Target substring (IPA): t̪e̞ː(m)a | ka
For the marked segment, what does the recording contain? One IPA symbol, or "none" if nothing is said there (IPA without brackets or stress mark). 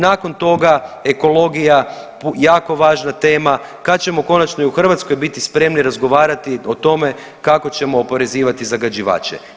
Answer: m